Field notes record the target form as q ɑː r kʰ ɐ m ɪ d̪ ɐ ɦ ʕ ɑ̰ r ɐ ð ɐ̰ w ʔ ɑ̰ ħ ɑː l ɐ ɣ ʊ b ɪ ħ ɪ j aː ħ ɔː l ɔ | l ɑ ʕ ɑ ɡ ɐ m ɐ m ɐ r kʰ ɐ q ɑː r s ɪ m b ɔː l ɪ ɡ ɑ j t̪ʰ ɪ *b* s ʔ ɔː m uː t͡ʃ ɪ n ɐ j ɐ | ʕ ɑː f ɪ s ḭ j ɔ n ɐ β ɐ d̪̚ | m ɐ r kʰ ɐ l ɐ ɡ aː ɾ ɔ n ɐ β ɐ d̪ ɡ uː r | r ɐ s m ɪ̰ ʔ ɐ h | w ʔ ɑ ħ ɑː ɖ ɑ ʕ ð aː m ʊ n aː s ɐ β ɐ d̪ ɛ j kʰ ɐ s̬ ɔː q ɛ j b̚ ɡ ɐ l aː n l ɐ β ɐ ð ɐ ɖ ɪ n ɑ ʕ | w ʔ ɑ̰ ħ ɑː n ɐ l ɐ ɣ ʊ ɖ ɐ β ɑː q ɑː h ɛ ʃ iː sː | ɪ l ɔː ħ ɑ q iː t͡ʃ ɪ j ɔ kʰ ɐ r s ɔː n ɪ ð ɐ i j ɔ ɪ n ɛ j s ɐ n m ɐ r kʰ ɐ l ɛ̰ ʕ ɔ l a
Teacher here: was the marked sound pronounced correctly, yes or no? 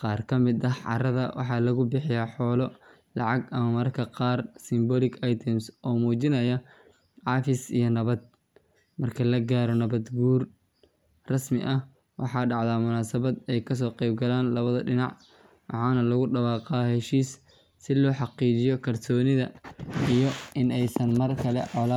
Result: no